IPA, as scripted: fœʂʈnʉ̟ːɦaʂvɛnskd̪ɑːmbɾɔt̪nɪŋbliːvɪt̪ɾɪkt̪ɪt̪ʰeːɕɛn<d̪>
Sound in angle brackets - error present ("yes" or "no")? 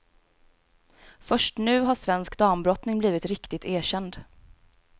no